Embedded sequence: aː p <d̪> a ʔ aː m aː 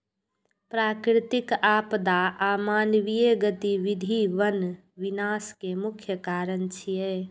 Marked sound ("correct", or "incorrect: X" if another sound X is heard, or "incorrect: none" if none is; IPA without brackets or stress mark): correct